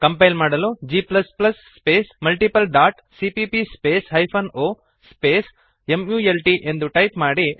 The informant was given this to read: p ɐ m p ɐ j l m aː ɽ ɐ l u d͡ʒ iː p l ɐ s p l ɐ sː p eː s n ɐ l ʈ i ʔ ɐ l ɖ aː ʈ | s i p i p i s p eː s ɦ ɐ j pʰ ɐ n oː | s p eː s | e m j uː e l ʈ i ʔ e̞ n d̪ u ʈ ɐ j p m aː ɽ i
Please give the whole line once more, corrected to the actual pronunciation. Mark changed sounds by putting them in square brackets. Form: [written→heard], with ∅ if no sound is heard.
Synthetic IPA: [p→k] ɐ m p ɐ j l m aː ɽ ɐ l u d͡ʒ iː p l ɐ s p l ɐ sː p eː s [n→m] ɐ l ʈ i [ʔ→p] ɐ l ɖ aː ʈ | s i p i p i s p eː s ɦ ɐ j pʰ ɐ n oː | s p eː s | e m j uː e l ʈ i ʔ e̞ n d̪ u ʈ ɐ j p m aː ɽ i